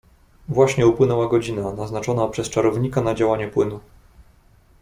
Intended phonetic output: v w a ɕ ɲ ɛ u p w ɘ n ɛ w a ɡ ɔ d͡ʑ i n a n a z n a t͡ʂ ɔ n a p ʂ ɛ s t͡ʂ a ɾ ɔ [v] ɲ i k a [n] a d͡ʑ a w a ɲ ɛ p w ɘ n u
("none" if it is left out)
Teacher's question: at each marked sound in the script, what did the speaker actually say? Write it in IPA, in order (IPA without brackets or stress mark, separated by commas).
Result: v, n